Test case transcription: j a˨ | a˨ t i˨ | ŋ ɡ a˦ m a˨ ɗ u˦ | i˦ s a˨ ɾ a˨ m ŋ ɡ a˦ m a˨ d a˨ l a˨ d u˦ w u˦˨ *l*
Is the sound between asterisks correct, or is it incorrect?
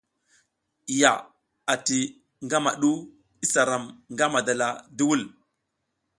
correct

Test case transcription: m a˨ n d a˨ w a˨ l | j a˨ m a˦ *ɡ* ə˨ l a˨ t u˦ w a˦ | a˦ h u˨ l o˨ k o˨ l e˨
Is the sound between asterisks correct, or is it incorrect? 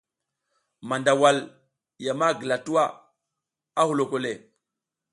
correct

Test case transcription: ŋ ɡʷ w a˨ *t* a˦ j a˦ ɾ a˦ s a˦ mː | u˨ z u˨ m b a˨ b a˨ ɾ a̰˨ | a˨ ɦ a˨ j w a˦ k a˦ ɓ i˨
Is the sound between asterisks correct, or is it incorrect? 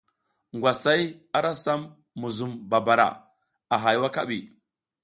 incorrect: s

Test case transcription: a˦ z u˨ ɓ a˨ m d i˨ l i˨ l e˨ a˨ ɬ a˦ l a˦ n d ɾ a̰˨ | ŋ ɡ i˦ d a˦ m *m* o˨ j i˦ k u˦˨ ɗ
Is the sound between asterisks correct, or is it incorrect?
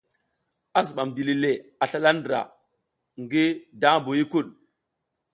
incorrect: b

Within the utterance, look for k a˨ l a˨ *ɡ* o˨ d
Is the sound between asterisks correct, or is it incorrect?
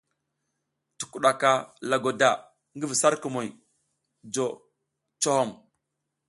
correct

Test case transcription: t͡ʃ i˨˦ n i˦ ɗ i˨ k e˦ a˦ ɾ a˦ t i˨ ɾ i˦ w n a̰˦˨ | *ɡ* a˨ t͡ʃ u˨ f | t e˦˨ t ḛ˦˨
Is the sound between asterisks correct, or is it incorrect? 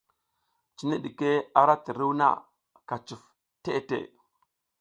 incorrect: k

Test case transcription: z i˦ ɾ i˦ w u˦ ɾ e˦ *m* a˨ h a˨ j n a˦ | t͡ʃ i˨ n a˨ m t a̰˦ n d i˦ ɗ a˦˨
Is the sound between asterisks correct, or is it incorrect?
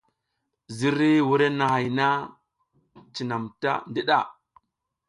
incorrect: n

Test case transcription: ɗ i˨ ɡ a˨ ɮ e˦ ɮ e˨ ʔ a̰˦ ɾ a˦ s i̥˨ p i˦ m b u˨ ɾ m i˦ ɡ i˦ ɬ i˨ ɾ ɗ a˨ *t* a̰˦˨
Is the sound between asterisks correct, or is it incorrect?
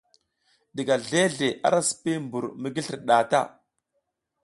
correct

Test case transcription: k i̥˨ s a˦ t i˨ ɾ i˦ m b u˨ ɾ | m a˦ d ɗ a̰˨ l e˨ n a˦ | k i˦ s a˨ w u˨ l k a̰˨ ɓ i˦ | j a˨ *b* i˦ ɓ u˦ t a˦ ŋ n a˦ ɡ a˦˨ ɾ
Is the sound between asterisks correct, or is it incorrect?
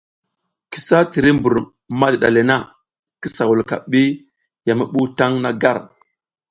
incorrect: m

